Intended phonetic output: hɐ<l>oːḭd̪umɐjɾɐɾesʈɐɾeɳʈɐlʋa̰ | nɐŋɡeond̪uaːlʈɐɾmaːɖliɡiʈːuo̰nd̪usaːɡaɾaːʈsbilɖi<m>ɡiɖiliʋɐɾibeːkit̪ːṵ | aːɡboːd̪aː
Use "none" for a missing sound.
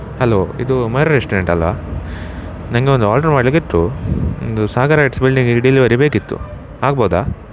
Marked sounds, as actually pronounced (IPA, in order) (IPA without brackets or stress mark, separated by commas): l, ŋ